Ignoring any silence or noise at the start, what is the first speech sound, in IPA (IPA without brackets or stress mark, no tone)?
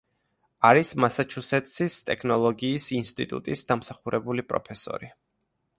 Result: a